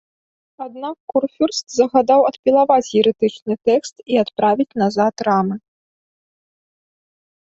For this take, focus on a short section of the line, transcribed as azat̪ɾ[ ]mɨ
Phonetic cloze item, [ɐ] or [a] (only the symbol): a